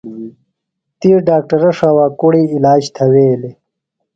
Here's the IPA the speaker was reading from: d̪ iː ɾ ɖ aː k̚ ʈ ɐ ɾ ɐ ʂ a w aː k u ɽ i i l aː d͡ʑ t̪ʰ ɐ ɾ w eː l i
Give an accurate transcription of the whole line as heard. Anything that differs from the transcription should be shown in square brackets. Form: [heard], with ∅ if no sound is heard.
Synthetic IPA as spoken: [t̪] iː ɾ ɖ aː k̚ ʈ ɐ ɾ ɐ ʂ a w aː k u ɽ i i l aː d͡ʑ t̪ʰ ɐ [∅] w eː l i